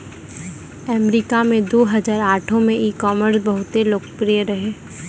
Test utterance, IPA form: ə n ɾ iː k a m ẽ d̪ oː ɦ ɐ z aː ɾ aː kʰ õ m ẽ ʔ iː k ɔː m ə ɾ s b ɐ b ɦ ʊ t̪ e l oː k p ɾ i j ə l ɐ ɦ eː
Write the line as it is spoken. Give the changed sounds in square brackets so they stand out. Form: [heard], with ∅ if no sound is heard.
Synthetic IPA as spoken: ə [m] ɾ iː k a m ẽ d̪ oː ɦ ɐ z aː ɾ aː [ʈʰ] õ m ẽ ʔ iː k ɔː m ə ɾ s b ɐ [∅] ɦ ʊ t̪ e l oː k p ɾ i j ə [ɾ] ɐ ɦ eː